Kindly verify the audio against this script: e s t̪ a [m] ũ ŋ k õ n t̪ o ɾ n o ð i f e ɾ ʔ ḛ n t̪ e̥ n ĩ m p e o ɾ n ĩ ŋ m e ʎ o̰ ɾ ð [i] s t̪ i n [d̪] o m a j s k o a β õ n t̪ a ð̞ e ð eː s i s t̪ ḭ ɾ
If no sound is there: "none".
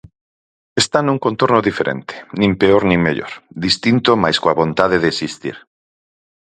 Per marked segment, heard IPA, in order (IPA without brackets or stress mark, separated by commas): n, i, t̪